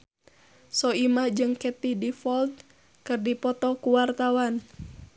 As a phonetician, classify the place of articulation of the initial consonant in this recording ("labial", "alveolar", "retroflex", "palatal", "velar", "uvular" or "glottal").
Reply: alveolar